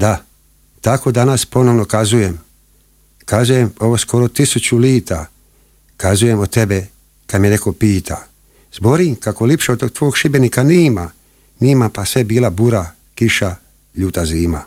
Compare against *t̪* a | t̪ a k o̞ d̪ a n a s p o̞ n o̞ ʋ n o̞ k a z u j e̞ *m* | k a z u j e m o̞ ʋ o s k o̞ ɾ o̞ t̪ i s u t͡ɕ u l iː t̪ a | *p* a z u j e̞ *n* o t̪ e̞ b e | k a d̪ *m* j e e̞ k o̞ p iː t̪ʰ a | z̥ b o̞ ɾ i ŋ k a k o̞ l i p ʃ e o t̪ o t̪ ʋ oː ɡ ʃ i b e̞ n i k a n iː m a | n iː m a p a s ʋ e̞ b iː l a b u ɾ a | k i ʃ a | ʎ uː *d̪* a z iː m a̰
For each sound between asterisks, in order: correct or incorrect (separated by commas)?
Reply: incorrect, correct, incorrect, incorrect, correct, incorrect